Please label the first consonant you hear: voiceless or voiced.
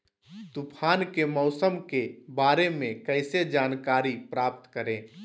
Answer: voiceless